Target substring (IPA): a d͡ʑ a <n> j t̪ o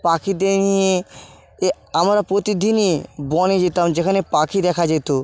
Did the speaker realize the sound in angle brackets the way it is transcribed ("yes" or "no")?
no